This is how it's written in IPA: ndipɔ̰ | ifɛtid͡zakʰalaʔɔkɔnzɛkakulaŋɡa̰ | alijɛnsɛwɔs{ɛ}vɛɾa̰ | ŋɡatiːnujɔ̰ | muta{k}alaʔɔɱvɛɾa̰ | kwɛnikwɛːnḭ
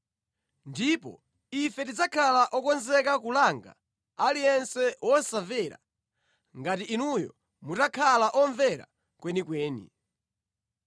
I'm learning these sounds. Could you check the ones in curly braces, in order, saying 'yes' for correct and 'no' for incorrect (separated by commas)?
no, no